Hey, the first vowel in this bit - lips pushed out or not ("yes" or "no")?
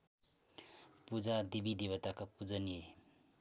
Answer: yes